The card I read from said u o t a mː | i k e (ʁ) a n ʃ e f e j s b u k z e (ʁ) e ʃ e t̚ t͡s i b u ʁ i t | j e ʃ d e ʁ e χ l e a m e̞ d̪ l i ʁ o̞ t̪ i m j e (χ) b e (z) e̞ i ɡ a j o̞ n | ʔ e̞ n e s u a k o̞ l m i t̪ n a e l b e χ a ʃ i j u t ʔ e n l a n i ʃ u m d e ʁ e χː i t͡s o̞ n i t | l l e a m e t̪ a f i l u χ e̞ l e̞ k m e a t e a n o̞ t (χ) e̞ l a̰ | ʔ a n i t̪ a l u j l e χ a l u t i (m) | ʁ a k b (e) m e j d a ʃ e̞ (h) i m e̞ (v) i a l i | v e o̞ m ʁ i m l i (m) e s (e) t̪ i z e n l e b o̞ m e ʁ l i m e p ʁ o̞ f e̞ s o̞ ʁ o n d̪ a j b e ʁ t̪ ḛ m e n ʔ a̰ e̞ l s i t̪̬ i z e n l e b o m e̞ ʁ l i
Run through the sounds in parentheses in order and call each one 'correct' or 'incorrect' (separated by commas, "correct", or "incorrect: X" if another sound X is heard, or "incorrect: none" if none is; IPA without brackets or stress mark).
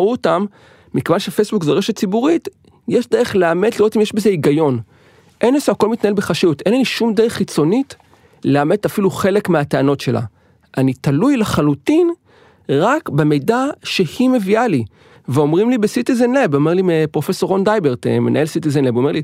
incorrect: v, correct, incorrect: ʃ, correct, incorrect: ʃ, incorrect: n, correct, correct, correct, incorrect: b, incorrect: i